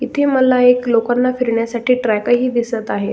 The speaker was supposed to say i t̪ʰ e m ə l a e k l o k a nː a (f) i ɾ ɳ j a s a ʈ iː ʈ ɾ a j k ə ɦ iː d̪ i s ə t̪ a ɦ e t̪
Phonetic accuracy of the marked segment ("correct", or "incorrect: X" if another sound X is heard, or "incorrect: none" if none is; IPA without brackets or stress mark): correct